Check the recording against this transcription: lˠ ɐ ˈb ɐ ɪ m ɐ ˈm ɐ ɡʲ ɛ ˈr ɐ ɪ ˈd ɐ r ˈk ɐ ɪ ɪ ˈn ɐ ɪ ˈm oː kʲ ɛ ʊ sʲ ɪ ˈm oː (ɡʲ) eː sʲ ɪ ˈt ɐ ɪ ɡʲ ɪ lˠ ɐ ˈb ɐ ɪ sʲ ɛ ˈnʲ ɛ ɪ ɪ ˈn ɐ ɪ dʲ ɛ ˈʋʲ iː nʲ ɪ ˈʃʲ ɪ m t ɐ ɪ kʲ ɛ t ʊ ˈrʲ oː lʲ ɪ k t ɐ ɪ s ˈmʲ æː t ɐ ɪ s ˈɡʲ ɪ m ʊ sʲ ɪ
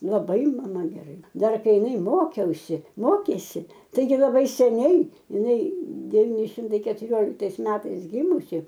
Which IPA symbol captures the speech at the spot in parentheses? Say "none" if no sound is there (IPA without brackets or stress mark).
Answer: kʲ